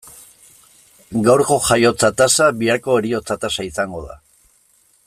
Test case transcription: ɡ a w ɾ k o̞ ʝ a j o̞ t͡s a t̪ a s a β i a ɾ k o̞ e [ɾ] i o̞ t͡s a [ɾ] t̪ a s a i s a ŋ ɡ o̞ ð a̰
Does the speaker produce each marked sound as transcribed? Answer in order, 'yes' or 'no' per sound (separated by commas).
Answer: yes, no